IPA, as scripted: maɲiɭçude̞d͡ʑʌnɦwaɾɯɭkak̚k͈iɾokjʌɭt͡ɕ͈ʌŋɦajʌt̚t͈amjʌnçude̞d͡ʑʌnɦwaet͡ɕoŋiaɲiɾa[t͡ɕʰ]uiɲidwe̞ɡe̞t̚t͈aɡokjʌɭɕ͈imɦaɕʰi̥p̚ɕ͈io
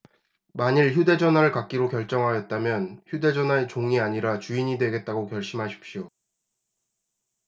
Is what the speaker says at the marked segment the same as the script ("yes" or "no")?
no